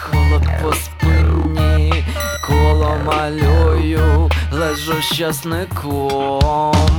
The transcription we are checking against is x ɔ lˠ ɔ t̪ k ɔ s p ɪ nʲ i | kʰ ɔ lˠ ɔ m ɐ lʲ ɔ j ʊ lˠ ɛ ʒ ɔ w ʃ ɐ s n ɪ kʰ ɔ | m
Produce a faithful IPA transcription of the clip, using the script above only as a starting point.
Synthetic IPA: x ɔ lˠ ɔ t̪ p ɔ s p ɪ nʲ i | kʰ ɔ lˠ ɔ m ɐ lʲ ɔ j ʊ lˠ ɛ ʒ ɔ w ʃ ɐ s n ɪ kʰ ɔ | m